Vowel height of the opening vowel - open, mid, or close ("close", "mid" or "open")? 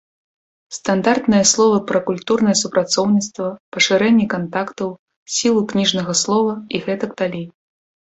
open